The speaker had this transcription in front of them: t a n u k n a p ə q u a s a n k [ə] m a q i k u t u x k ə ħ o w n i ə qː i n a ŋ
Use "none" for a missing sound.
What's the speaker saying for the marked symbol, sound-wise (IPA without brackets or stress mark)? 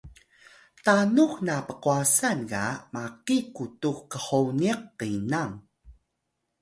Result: a